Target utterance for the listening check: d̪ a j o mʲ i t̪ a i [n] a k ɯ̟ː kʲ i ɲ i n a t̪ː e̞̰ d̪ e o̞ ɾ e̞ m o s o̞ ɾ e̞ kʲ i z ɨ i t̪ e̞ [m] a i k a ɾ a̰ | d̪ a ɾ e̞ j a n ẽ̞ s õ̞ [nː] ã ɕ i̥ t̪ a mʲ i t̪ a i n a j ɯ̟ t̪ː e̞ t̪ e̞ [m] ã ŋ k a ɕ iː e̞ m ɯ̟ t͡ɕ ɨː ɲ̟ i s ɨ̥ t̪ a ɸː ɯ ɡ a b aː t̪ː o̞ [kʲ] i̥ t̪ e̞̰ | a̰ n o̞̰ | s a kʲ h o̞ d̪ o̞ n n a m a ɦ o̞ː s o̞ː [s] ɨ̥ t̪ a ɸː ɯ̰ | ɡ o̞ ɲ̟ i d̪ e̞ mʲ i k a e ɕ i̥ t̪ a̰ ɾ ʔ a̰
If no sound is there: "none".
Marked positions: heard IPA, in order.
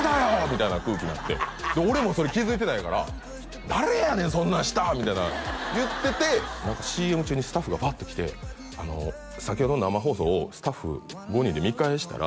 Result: n, n, nː, n, kʲ, s

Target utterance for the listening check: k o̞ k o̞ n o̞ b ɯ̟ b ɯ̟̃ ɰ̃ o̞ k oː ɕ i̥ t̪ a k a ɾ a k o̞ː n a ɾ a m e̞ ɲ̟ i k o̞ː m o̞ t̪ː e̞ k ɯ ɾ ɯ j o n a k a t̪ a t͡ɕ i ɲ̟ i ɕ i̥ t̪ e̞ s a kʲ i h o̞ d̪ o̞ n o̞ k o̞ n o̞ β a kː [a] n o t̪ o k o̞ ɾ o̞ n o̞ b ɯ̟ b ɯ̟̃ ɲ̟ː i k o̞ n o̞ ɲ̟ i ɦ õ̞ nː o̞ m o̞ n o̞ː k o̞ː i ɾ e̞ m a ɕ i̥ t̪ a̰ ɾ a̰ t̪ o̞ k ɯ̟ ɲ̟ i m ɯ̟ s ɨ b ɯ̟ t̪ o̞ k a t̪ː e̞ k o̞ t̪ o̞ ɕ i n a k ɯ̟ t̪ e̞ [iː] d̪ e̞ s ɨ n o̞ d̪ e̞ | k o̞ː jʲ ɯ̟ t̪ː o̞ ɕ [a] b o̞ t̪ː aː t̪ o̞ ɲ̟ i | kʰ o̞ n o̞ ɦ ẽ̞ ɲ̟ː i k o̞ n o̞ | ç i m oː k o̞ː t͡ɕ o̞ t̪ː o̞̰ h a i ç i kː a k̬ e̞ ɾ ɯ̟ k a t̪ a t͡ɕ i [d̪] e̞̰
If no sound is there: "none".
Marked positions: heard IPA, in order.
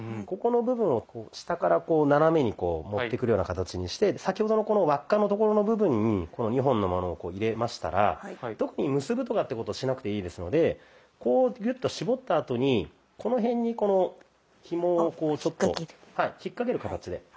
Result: a, iː, i, d̪

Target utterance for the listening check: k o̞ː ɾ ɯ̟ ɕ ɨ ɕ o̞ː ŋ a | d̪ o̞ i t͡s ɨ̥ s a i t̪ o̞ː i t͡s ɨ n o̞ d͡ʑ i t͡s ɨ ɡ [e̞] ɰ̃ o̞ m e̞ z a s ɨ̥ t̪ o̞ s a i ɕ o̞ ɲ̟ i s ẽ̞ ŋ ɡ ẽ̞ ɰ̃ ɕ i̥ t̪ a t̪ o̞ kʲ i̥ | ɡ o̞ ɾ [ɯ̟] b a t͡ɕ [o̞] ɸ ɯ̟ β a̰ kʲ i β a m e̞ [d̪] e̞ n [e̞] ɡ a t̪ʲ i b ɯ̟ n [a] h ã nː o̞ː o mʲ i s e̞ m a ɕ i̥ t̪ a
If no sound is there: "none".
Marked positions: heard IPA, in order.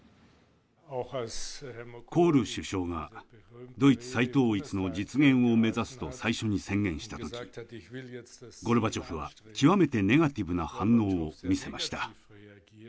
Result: ẽ̞, ɯ̟, o̞, t̪, e̞, a

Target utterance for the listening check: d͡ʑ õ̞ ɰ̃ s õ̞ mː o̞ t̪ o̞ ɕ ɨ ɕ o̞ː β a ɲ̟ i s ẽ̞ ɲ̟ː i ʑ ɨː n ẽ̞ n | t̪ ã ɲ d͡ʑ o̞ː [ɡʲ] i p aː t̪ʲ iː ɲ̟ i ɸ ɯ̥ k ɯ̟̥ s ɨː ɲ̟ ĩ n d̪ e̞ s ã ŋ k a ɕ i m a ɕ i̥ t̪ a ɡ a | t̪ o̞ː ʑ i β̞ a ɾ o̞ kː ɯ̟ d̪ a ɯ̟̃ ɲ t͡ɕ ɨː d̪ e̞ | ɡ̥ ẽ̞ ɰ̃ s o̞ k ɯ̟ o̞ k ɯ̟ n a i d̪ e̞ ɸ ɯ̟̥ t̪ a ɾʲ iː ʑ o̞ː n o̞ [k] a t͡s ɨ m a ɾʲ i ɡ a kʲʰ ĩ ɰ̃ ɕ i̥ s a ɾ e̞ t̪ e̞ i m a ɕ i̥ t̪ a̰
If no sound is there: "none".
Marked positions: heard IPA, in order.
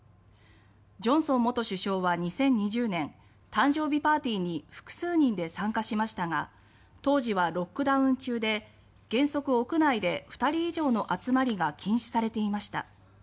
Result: bʲ, ʔ

